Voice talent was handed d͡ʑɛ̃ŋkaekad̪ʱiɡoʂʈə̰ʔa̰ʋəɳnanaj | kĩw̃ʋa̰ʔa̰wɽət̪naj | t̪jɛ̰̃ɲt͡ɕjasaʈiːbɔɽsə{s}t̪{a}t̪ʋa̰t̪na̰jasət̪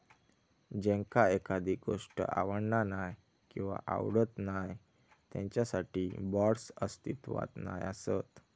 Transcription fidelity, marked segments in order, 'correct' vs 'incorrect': correct, incorrect: i

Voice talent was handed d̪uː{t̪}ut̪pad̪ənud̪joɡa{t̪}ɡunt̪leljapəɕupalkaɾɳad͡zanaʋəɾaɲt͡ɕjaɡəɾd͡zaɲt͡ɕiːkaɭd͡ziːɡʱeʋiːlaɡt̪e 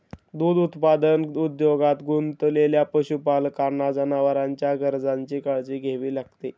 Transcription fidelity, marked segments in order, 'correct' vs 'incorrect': incorrect: d̪, correct

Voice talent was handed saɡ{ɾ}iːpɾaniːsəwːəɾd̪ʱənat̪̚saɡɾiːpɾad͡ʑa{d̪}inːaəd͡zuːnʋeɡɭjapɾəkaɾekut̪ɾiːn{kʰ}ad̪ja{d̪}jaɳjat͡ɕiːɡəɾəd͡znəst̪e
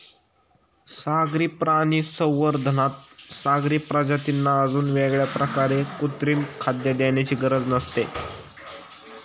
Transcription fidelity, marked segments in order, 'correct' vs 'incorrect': correct, incorrect: t̪, correct, correct

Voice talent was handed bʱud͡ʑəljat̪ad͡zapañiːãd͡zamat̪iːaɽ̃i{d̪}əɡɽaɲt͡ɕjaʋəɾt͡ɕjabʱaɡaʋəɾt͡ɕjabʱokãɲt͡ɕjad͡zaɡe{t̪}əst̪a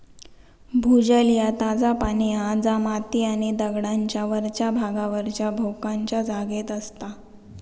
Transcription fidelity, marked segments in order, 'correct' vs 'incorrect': correct, correct

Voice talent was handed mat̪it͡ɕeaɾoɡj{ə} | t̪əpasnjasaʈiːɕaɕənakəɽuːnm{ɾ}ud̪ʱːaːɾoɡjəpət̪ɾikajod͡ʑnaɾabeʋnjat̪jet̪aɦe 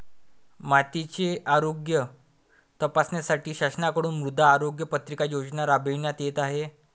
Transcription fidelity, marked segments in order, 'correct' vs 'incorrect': correct, correct

